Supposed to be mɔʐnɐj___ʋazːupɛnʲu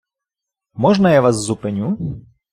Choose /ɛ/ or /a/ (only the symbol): a